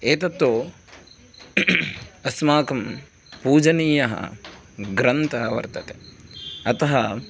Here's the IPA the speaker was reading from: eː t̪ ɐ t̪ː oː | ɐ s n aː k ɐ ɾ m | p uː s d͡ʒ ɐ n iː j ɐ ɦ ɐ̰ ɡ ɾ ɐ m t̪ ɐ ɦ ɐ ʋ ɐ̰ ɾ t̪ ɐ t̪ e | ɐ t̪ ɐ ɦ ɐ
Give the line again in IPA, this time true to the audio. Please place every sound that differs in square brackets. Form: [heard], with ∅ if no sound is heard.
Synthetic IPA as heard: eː t̪ ɐ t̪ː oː | ɐ s [m] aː k ɐ [∅] m | p uː [∅] d͡ʒ ɐ n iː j ɐ ɦ ɐ̰ ɡ ɾ ɐ [n] t̪ ɐ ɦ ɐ ʋ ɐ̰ ɾ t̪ ɐ t̪ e | ɐ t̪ ɐ ɦ ɐ

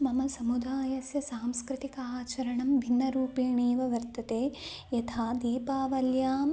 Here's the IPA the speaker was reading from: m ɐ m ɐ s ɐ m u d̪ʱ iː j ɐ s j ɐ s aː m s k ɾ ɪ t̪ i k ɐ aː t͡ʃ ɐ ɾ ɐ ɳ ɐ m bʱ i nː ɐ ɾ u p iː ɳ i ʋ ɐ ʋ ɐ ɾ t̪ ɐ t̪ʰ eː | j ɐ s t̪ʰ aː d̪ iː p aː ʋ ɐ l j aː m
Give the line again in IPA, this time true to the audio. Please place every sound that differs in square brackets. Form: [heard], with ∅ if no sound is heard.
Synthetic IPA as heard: m ɐ m ɐ s ɐ m u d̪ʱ [aː] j ɐ s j ɐ s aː m s k ɾ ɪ t̪ i k ɐ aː t͡ʃ ɐ ɾ ɐ ɳ ɐ m bʱ i nː ɐ ɾ [uː] p iː ɳ [iː] ʋ ɐ ʋ ɐ ɾ t̪ ɐ [t̪] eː | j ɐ [∅] t̪ʰ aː d̪ iː p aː ʋ ɐ l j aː m

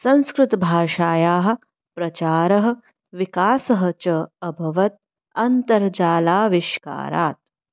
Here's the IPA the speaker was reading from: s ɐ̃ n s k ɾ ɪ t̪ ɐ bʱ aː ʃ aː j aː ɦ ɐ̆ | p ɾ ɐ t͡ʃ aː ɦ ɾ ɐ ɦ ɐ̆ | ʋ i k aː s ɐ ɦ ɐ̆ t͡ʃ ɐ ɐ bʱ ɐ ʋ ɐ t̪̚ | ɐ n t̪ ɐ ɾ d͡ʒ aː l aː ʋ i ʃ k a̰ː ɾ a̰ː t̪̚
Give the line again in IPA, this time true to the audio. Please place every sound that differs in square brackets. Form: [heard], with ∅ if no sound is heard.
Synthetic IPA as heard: s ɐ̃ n s k ɾ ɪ t̪ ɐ bʱ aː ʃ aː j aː ɦ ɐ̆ | p ɾ ɐ t͡ʃ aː [∅] ɾ ɐ ɦ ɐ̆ | ʋ i k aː s ɐ ɦ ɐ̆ t͡ʃ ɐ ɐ bʱ ɐ ʋ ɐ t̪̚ | ɐ n t̪ ɐ ɾ d͡ʒ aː l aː ʋ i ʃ k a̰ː ɾ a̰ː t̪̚

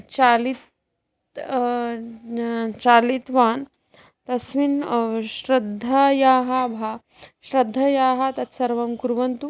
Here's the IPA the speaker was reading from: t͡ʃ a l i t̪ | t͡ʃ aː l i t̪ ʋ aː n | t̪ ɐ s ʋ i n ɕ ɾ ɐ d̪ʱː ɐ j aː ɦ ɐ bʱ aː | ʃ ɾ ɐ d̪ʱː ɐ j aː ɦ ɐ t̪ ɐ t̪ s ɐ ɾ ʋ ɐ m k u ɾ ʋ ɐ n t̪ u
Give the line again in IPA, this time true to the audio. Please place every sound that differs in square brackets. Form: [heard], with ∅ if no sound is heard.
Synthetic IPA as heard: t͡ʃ a l i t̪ | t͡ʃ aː l i t̪ ʋ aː n | t̪ ɐ s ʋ i n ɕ ɾ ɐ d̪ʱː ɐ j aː ɦ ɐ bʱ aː | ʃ ɾ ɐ d̪ʱː ɐ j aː ɦ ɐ t̪ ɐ t̪ s ɐ ɾ ʋ ɐ m k u ɾ ʋ ɐ n t̪ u

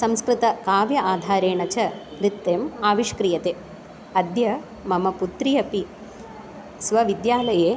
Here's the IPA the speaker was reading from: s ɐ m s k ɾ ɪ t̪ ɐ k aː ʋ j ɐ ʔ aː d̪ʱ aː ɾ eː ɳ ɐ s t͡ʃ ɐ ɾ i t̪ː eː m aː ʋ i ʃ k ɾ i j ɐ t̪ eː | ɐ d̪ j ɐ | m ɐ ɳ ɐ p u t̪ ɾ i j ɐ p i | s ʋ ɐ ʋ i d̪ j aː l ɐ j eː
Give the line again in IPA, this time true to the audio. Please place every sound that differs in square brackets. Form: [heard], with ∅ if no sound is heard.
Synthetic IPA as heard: s ɐ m s k ɾ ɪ t̪ ɐ k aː ʋ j ɐ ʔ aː d̪ʱ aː ɾ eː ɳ ɐ [∅] t͡ʃ ɐ ɾ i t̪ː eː m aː ʋ i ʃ k ɾ i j ɐ t̪ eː | ɐ d̪ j ɐ | m ɐ [m] ɐ p u t̪ ɾ i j ɐ p i | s ʋ ɐ ʋ i d̪ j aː l ɐ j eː

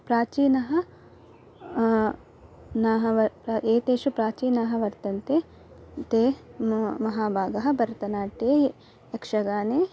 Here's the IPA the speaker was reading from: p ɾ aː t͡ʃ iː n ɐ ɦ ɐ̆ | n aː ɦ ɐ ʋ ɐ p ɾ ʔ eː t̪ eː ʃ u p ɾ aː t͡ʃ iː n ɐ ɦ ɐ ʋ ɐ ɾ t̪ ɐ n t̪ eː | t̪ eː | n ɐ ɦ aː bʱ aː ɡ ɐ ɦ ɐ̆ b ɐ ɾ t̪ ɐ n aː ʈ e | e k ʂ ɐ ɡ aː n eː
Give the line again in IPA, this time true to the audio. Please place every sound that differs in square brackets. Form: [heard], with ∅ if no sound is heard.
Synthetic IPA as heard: p ɾ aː t͡ʃ iː n ɐ ɦ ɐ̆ | n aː ɦ ɐ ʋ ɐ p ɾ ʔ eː t̪ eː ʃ u p ɾ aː t͡ʃ iː n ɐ ɦ ɐ ʋ ɐ ɾ t̪ ɐ n t̪ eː | t̪ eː | [m] ɐ ɦ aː bʱ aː ɡ ɐ ɦ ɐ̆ b ɐ ɾ t̪ ɐ n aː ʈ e | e k ʂ ɐ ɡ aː n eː

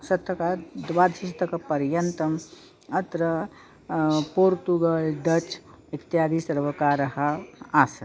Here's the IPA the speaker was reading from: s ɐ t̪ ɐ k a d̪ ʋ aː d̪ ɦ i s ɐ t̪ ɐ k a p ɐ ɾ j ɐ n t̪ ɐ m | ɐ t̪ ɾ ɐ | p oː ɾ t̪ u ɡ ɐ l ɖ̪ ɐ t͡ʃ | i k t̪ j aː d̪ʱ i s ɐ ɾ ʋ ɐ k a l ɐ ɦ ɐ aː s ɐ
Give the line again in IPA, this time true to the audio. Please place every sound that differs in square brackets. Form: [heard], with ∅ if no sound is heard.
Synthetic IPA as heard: s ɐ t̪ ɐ k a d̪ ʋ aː d̪ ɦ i s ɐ t̪ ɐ k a p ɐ ɾ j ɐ n t̪ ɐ m | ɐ t̪ ɾ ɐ | p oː ɾ t̪ u ɡ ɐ l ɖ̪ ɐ t͡ʃ | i k t̪ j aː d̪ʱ i s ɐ ɾ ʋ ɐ k a [ɾ] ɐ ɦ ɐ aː s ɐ

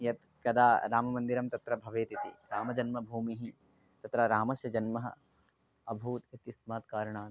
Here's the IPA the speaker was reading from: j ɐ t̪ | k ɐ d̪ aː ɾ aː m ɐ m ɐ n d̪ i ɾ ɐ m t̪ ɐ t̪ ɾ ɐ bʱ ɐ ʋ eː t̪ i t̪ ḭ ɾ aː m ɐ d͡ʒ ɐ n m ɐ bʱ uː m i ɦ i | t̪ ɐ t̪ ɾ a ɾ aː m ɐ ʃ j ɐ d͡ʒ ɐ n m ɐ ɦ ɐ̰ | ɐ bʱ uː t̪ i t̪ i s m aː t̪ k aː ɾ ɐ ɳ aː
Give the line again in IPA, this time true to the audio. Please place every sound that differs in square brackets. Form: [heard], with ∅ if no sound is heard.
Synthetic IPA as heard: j ɐ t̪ | k ɐ d̪ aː ɾ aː m ɐ m ɐ n d̪ i ɾ ɐ m t̪ ɐ t̪ ɾ ɐ bʱ ɐ ʋ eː t̪ i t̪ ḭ ɾ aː m ɐ d͡ʒ ɐ n m ɐ bʱ uː m i ɦ i | t̪ ɐ t̪ ɾ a ɾ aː m ɐ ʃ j ɐ d͡ʒ ɐ n m ɐ ɦ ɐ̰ | ɐ bʱ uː t̪ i t̪ i s m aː t̪ k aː ɾ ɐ ɳ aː

